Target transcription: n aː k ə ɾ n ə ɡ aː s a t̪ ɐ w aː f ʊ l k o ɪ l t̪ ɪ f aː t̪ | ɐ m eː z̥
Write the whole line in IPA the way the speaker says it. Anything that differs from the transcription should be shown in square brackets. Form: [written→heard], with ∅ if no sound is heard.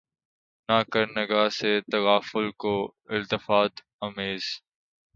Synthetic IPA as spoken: n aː k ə ɾ n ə ɡ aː s [a→e] t̪ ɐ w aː f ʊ l k o ɪ l t̪ ɪ f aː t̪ | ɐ m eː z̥